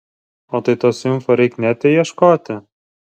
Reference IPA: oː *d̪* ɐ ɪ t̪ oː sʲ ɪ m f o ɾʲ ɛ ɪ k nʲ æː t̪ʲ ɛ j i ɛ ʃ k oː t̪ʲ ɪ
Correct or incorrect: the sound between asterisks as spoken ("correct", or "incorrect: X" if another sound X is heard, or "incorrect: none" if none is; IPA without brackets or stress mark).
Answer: incorrect: t̪